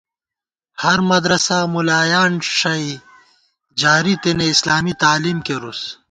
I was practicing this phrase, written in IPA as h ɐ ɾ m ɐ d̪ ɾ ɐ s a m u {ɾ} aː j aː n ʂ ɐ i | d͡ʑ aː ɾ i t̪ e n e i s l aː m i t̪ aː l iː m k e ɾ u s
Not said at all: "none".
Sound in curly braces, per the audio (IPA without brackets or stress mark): l